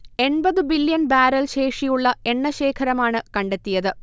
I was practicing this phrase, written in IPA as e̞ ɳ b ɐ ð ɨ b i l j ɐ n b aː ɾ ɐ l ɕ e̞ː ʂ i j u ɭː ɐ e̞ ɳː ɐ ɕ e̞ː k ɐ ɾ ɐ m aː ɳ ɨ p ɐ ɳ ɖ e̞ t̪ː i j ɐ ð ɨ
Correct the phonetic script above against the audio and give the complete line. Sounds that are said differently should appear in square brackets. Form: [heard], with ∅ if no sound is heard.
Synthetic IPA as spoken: e̞ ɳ b ɐ ð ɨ b i l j ɐ n b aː ɾ ɐ l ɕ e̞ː ʂ i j u ɭː ɐ e̞ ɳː ɐ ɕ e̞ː [kʰ] ɐ ɾ ɐ m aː ɳ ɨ [k] ɐ ɳ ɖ e̞ t̪ː i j ɐ ð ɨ